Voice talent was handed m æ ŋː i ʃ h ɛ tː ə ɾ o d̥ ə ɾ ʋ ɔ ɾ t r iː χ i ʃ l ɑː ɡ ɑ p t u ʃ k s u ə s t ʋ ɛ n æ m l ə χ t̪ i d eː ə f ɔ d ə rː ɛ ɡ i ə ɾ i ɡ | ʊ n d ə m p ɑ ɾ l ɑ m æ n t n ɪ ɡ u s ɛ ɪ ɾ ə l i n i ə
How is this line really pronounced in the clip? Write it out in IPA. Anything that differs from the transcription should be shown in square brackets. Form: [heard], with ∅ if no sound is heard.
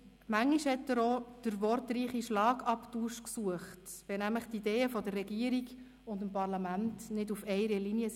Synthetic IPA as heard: m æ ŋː i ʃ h ɛ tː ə ɾ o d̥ ə ɾ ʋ ɔ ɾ t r iː χ i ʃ l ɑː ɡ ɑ p t u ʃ k s u ə [χ] t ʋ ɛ n æ m l ə χ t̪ i d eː ə f ɔ d ə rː ɛ ɡ i ə ɾ i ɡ | ʊ n d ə m p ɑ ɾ l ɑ m æ n t n ɪ [d] u [f] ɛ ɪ ɾ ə l i n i ə

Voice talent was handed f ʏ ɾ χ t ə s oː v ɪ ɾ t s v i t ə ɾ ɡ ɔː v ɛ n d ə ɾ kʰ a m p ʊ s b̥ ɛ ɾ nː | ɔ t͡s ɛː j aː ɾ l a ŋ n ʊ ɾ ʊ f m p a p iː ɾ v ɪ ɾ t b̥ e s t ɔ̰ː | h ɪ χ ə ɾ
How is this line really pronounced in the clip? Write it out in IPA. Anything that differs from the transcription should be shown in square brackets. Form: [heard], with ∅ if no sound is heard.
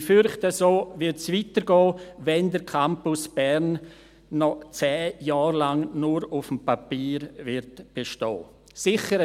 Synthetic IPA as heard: f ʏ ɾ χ t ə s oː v ɪ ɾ t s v i t ə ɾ ɡ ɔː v ɛ n d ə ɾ kʰ a m p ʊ s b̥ ɛ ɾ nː | ɔ t͡s ɛː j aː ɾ l a ŋ n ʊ ɾ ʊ f m p a p iː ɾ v ɪ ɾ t b̥ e [ʃ] t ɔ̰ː | [s] ɪ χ ə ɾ

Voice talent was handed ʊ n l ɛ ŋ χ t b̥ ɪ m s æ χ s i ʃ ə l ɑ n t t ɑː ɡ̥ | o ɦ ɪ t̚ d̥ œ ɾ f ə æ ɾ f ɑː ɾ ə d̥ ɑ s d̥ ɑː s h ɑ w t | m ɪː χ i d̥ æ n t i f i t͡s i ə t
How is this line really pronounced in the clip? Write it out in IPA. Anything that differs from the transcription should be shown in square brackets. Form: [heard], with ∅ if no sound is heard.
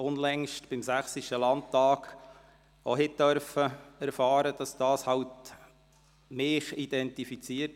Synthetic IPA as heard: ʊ n l ɛ ŋ [ʃ] t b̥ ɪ m s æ χ s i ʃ ə l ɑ n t t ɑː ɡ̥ | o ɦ ɪ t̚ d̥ œ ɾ f ə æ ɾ f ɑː ɾ ə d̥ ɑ s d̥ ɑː s h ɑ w t | m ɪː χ i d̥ [ɛ] n t i f i t͡s i ə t

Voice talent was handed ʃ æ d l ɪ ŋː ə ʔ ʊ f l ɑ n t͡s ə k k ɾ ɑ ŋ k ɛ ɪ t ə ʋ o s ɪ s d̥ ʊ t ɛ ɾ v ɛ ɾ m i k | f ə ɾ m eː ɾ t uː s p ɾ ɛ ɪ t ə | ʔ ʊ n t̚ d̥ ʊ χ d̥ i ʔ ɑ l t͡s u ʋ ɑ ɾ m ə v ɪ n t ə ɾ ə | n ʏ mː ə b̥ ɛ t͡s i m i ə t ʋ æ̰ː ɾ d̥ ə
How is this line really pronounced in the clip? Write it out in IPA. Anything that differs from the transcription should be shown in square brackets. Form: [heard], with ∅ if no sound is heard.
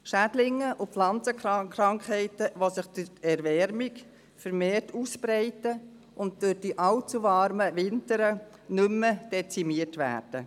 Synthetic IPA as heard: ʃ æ d l ɪ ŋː ə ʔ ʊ f l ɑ n t͡s ə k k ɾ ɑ ŋ k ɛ ɪ t ə ʋ o s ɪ [χ] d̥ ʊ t ɛ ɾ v ɛ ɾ m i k | f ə ɾ m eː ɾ t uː s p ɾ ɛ ɪ t ə | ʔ ʊ n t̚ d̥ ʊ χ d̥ i ʔ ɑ l t͡s u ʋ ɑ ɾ m ə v ɪ n t ə ɾ ə | n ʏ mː ə [d̥] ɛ t͡s i m i ə t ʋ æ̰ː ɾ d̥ ə

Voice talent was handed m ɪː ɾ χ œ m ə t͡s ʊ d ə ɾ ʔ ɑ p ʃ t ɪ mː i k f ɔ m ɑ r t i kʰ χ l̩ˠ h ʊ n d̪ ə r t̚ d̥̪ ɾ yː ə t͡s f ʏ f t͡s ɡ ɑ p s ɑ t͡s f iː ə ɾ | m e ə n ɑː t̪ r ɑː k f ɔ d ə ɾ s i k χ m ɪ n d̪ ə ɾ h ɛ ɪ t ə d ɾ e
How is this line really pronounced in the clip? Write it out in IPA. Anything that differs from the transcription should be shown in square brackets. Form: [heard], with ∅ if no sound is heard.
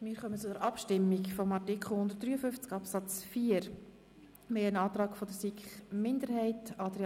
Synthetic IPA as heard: m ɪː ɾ χ œ m ə t͡s ʊ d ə ɾ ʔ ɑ p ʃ t ɪ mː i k f ɔ m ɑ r t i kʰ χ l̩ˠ h ʊ n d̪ ə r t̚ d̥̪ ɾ yː ə [∅] f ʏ f t͡s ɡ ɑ p s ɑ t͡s f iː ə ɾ | m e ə n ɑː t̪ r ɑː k f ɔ d ə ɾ s i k χ m ɪ n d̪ ə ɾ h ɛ ɪ t [ɑ] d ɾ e

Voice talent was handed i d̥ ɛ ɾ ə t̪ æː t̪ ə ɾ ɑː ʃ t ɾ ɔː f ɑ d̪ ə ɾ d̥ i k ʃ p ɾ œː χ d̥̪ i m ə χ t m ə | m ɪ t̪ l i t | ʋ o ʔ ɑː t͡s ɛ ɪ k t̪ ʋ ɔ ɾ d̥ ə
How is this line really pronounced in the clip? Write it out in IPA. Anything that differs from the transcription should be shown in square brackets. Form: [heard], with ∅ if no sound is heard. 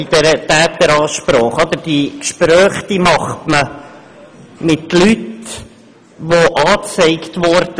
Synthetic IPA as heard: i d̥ ɛ ɾ ə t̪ æː t̪ ə ɾ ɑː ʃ [p] ɾ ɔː [χ] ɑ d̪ ə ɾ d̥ i k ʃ p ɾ œː χ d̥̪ i m [ɑ] χ t m ə | m ɪ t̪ l [y] t | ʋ o ʔ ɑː t͡s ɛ ɪ k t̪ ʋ ɔ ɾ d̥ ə

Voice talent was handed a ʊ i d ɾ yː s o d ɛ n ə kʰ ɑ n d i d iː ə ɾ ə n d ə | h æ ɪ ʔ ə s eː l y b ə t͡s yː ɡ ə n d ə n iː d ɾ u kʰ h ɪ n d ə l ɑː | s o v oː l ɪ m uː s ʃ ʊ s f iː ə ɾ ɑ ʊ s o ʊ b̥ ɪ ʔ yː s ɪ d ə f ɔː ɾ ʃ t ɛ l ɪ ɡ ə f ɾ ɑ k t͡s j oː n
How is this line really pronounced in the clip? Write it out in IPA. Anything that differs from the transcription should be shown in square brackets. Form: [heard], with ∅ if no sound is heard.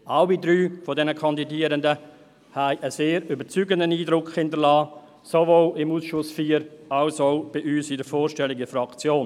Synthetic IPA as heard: a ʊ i d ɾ yː [f] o d ɛ n ə kʰ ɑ n d i d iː ə ɾ ə n d ə | h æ ɪ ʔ ə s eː [ɾ] y b ə t͡s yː ɡ ə n d ə n iː d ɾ [ʊ] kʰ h ɪ n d ə l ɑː | s o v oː l ɪ m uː s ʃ ʊ s f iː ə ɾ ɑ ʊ s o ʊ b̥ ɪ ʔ yː s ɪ d ə f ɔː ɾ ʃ t ɛ l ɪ ɡ ə f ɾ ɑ k t͡s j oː n

